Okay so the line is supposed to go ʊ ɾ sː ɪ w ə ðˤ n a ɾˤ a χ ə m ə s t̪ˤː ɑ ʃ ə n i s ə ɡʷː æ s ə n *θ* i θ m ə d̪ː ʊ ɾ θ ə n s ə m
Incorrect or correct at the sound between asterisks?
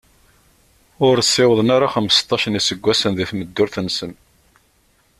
incorrect: ð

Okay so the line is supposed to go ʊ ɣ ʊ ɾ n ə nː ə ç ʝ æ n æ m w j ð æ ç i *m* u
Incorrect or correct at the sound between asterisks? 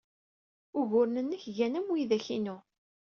incorrect: n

